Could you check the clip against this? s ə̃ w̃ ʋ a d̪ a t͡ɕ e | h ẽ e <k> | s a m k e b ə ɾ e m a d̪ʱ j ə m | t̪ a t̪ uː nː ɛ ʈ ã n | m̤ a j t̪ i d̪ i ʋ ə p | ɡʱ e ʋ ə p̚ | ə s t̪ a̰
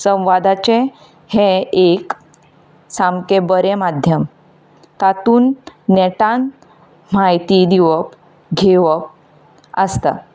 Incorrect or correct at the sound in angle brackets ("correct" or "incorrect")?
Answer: correct